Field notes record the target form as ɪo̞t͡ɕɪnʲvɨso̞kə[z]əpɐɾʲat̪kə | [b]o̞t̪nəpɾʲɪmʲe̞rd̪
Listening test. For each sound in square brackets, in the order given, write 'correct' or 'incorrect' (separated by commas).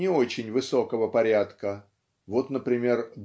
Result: incorrect, incorrect